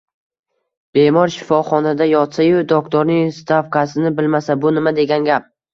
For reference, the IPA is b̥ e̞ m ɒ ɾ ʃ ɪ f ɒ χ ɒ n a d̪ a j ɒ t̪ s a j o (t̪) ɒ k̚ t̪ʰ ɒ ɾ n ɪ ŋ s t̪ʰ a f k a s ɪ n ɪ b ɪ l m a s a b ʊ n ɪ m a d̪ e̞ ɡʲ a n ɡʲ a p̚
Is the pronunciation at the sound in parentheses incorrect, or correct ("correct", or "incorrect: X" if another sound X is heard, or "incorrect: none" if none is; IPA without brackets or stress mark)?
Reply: incorrect: d̪